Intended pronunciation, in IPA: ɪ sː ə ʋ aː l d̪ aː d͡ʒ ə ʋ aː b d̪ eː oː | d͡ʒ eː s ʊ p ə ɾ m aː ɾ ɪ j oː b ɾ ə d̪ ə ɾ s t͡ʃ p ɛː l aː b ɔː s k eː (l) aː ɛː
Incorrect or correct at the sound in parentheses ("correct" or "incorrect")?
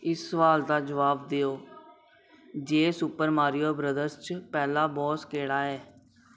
incorrect